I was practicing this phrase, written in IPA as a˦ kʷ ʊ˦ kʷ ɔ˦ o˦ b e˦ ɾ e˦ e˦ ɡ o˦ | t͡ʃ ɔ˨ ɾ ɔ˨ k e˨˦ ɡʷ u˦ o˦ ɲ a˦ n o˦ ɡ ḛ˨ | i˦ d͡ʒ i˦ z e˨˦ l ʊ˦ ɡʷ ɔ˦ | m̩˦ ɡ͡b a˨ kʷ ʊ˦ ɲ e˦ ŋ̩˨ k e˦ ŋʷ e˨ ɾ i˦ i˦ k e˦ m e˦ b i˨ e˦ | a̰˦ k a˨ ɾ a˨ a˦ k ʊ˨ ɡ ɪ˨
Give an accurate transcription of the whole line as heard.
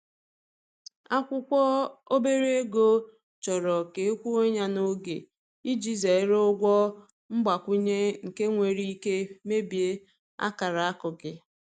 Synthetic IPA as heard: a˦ kʷ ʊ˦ kʷ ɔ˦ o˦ b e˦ ɾ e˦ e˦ ɡ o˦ | t͡ʃ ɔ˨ ɾ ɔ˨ k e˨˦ kʷ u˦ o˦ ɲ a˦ n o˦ ɡ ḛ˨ | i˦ d͡ʒ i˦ z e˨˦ ɾ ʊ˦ ɡʷ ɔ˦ | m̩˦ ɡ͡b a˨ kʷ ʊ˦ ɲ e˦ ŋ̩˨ k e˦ ŋʷ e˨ ɾ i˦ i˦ k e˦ m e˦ b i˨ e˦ | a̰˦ k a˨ ɾ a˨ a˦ k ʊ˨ ɡ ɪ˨